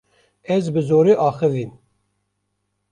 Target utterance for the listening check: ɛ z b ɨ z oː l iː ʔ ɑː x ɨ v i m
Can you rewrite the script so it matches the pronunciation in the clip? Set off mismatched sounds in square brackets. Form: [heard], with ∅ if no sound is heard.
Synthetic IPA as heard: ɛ z b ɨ z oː [ɾ] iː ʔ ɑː x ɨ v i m